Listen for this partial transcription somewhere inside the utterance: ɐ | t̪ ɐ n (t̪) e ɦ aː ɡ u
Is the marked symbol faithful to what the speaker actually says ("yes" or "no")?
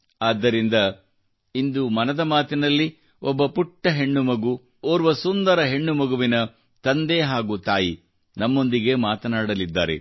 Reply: no